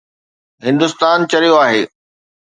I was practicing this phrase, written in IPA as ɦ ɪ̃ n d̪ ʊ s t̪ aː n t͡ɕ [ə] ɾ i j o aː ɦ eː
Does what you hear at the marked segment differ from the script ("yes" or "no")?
yes